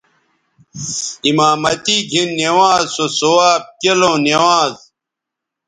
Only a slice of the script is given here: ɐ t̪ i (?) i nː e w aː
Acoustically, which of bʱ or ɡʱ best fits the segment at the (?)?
ɡʱ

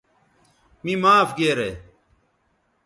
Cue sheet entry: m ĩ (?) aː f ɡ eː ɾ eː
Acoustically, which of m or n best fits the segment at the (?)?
m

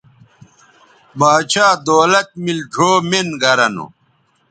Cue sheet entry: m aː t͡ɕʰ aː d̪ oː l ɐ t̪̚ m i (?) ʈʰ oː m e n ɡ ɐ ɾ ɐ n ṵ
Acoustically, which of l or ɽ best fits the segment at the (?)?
l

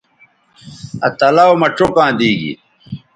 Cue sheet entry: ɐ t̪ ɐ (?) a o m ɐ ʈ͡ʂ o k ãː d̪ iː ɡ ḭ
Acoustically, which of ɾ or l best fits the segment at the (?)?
l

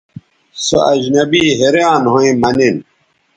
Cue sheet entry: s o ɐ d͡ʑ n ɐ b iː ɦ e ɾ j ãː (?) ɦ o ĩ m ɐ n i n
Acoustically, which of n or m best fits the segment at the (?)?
n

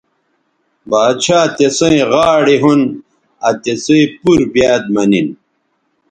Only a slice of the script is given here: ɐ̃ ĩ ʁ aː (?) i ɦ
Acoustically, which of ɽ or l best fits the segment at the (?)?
ɽ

